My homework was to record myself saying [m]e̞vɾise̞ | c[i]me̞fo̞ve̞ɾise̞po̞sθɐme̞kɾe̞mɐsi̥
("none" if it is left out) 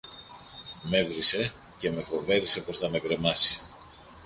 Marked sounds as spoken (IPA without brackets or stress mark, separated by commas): m, e